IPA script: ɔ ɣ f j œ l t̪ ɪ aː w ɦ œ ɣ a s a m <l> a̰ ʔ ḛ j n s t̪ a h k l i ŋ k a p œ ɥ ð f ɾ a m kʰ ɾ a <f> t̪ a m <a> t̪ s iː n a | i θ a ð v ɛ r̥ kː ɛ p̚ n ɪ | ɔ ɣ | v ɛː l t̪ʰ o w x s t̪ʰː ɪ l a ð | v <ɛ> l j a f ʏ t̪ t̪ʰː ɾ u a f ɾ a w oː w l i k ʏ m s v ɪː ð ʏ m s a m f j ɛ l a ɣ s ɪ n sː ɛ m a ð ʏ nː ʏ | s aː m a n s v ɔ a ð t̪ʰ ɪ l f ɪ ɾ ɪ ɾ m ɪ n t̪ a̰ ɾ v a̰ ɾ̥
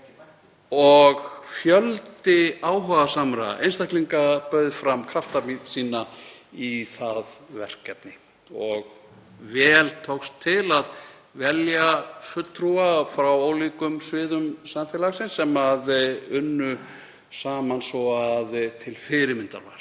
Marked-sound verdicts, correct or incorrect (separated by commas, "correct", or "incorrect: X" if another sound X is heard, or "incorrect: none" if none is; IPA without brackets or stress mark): incorrect: ɾ, correct, incorrect: i, correct